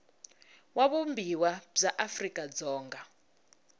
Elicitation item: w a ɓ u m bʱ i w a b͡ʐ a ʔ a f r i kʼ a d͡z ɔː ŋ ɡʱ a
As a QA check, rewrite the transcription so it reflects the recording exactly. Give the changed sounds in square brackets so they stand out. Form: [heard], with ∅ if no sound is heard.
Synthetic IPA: w a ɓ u m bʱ i w a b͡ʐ a ʔ a f r i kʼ a d͡z ɔː ŋ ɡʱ a